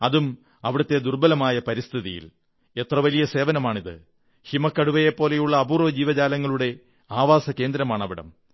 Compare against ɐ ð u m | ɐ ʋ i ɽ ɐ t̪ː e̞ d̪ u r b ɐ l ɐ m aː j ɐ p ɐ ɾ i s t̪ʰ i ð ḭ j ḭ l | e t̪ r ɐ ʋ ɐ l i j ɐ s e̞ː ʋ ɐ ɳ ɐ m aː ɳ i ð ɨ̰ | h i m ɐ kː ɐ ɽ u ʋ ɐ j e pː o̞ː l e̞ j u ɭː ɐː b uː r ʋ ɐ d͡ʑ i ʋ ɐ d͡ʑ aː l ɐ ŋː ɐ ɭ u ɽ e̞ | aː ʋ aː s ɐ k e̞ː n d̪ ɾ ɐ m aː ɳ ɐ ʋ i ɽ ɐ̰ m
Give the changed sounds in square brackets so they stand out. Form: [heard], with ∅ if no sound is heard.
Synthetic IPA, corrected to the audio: ɐ ð u m | ɐ ʋ i ɽ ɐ t̪ː e̞ d̪ u r b ɐ l ɐ m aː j ɐ p ɐ ɾ i s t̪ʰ i ð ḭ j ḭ l | e t̪ r ɐ ʋ ɐ l i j ɐ s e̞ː ʋ ɐ [n] ɐ m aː ɳ i ð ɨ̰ | h i m ɐ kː ɐ ɽ u ʋ ɐ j e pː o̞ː l e̞ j u ɭː ɐː b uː r ʋ ɐ d͡ʑ [iː] ʋ ɐ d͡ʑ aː l ɐ ŋː ɐ ɭ u ɽ e̞ | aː ʋ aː s ɐ k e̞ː n d̪ ɾ ɐ m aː ɳ ɐ ʋ i ɽ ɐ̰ m